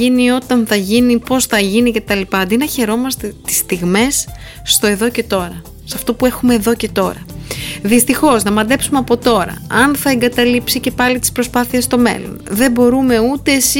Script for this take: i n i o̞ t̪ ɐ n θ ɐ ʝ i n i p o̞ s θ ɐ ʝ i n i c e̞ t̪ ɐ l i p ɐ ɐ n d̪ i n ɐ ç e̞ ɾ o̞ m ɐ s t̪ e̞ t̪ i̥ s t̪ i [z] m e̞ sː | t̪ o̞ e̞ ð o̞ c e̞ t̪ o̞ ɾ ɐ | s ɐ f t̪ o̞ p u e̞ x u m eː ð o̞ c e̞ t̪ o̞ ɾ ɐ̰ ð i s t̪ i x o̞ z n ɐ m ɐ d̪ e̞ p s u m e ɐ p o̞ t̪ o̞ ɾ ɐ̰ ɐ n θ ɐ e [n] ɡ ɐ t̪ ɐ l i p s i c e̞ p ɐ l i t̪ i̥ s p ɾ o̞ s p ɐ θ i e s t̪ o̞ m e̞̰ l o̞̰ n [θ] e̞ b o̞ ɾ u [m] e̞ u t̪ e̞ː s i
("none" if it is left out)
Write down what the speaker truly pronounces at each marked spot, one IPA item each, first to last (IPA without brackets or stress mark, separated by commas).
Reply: ɣ, ŋ, ð, m